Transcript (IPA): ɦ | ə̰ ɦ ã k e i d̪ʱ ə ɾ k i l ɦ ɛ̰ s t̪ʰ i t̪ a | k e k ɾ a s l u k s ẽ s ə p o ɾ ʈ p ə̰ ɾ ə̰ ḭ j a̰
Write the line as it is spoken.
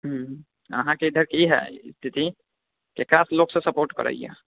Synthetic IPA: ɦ | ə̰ ɦ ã k e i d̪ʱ ə ɾ k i ɦ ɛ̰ s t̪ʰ i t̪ i | k e k ɾ a s l o k s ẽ s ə p o ɾ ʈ k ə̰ ɾ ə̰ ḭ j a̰

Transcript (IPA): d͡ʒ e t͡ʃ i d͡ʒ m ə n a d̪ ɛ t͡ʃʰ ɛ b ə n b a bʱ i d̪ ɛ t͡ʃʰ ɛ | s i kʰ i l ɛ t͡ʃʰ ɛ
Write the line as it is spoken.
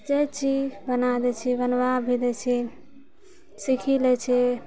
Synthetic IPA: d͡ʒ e t͡ʃ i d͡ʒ b ə n a d̪ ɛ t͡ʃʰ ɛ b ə n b a bʱ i d̪ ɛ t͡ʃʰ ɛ | s i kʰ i l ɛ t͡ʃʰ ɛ

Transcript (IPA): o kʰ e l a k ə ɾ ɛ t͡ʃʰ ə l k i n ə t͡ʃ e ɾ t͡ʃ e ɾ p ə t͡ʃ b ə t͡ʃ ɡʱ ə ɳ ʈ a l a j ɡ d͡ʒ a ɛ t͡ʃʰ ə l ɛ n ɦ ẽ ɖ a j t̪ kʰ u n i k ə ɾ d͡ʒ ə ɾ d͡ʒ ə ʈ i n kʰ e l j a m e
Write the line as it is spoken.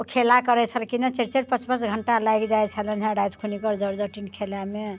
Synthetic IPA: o kʰ e l a k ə ɾ ɛ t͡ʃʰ ə l k i n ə t͡ʃ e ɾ t͡ʃ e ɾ p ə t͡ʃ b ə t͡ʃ ɡʱ ə ɳ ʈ a l a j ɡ d͡ʒ a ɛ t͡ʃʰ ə l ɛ n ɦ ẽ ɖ a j t̪ kʰ u n i k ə ɾ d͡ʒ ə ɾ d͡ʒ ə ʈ i n kʰ e l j a m e

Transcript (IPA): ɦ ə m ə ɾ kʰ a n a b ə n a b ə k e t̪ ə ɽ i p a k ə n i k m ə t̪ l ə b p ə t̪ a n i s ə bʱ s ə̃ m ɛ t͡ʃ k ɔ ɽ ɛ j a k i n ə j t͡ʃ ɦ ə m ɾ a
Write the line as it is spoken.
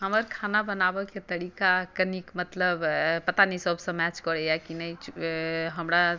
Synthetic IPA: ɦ ə m ə ɾ kʰ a n a b ə n a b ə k e t̪ ə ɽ i k a k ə n i k m ə t̪ l ə b p ə t̪ a n i s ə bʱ s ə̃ m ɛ t͡ʃ k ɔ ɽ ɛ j a k i n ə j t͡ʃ ɦ ə m ɾ a

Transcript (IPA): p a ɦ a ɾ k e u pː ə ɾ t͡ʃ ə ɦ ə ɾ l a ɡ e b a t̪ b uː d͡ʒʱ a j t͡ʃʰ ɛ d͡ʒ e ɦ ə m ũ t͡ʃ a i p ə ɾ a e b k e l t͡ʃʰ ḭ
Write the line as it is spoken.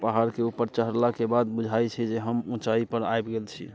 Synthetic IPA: p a ɦ a ɾ k e u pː ə ɾ t͡ʃ ə ɦ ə ɾ l a k e b a d̪ b u d͡ʒʱ a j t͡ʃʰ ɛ d͡ʒ e ɦ ə m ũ t͡ʃ a i p ə ɾ a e b ɡ e l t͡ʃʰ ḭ

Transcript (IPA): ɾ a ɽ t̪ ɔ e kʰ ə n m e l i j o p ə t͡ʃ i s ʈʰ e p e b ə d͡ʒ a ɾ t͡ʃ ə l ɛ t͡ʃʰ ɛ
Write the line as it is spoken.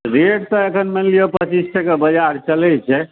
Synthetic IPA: ɾ e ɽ t̪ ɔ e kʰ ə n m e l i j o p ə t͡ʃ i s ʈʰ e k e b ə d͡ʒ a ɾ t͡ʃ ə l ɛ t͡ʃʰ ɛ

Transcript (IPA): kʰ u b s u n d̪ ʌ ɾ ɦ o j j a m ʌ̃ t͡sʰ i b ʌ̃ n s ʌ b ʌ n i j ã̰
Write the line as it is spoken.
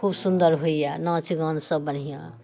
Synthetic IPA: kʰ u b s u n d̪ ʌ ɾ ɦ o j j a n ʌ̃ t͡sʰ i ɡ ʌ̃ n s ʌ b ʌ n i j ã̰

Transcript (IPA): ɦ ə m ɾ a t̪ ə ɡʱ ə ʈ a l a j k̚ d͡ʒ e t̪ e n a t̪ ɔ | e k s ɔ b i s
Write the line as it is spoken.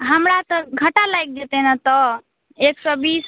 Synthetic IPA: ɦ ə m ɾ a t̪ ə ɡʱ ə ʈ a l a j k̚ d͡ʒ e t̪ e n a t̪ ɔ | e k s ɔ b i s

